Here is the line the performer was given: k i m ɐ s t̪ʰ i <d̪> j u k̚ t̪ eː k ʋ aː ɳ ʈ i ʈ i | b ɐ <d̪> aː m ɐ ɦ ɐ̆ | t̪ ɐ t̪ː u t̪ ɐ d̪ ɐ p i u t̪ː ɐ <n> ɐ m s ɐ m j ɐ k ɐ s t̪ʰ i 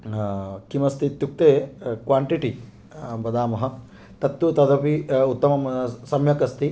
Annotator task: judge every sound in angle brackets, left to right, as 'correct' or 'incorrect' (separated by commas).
incorrect, correct, incorrect